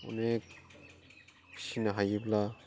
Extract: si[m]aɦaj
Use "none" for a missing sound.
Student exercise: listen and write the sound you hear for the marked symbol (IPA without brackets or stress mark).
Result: n